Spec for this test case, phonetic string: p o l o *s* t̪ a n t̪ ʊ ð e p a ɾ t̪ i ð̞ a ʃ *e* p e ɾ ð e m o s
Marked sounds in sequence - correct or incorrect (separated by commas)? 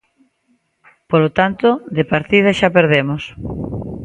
incorrect, incorrect